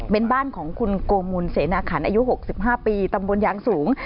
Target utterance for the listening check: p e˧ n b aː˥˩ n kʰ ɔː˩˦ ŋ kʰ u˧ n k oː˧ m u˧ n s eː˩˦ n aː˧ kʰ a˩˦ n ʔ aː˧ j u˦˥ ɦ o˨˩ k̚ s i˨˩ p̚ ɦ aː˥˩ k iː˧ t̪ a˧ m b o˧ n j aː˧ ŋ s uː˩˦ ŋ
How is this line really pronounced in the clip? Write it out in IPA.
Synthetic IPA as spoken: p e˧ n b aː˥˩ n kʰ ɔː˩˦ ŋ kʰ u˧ n k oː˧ m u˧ n s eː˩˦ n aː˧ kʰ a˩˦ n ʔ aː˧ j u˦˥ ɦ o˨˩ k̚ s i˨˩ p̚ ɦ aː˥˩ p iː˧ t̪ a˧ m b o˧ n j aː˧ ŋ s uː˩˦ ŋ